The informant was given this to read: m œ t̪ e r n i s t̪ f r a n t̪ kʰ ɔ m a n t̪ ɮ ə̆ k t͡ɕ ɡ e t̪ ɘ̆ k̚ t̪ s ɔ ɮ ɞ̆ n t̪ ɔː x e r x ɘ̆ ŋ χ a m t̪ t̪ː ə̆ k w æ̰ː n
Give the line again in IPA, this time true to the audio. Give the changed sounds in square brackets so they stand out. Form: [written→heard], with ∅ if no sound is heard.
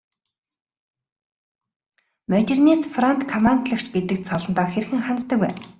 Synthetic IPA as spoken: m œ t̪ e r n i s t̪ f r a n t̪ kʰ ɔ m a n t̪ ɮ ə̆ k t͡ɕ ɡ e t̪ ɘ̆ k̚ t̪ s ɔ ɮ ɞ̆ n t̪ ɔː x e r x ɘ̆ ŋ χ a [m→n] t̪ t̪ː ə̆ k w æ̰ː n